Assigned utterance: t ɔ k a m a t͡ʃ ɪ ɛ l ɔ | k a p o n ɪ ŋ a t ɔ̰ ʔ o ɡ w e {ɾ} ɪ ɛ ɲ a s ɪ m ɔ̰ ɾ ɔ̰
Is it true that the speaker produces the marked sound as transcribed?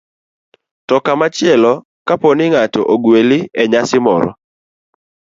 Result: no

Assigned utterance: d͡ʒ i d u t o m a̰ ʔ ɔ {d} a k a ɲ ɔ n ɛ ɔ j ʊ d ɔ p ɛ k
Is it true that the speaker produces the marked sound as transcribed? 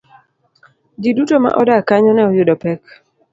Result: yes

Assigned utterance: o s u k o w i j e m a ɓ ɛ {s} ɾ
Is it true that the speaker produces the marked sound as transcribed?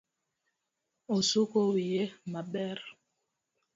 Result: no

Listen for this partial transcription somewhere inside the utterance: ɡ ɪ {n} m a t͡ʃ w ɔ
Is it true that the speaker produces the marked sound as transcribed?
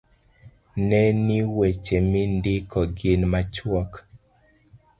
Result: yes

